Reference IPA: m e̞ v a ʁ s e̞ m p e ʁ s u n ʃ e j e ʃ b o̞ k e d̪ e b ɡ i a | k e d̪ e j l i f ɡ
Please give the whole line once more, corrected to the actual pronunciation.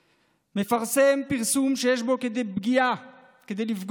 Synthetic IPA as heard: m e̞ f a ʁ s e̞ m p i ʁ s u m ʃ e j e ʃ b o̞ k e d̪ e b ɡ i a | k e d̪ e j l i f ɡ